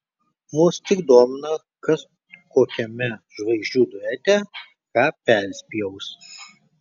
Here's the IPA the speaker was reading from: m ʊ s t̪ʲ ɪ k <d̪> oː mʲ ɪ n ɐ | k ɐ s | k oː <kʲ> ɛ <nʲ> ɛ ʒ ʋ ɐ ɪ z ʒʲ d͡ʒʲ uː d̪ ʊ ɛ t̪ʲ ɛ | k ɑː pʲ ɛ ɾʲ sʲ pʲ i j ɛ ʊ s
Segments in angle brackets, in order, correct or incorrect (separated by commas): correct, correct, incorrect